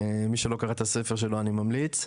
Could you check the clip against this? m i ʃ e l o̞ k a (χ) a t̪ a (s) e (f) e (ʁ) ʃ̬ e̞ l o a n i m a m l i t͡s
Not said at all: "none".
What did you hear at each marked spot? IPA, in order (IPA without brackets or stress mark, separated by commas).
ʁ, s, f, ʁ